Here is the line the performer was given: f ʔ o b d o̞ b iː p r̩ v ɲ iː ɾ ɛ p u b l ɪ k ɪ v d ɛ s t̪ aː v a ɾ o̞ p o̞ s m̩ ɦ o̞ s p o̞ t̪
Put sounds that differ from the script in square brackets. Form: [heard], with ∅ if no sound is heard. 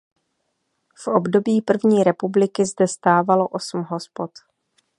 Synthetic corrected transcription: f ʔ o b d o̞ b iː p r̩ v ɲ iː ɾ ɛ p u b l ɪ k ɪ [z] d ɛ s t̪ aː v a [l] o̞ [ʔ] o̞ s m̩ ɦ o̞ s p o̞ t̪